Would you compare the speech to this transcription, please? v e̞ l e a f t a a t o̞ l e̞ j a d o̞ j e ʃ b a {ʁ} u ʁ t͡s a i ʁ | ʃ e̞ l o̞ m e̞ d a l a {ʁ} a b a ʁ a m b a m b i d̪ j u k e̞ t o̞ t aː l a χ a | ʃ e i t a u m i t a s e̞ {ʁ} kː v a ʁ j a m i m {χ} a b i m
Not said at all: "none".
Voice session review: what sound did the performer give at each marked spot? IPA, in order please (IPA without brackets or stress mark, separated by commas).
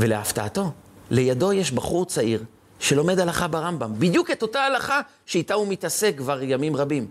χ, χ, none, ʁ